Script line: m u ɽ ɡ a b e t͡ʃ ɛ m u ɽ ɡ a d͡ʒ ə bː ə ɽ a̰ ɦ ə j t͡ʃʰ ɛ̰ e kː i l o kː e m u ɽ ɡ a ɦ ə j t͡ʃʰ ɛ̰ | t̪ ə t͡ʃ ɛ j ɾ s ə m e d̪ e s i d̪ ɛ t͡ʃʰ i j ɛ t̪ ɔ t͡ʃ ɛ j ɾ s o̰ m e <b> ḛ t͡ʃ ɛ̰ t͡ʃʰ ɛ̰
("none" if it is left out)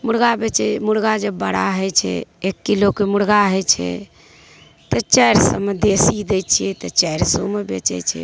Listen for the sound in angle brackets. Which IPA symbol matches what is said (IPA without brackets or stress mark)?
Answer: b